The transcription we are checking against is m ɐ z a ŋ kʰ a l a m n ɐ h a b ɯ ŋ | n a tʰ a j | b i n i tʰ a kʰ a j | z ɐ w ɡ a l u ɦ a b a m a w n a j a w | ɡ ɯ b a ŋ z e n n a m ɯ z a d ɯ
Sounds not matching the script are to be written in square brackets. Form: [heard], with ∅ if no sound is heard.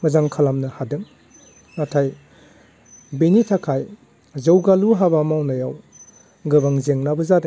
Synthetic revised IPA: m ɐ z a ŋ kʰ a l a m n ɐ h a [d] ɯ ŋ | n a tʰ a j | b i n i tʰ a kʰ a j | z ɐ w ɡ a l u ɦ a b a m a w n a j a w | ɡ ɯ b a ŋ z e [ŋ] n a [b] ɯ z a d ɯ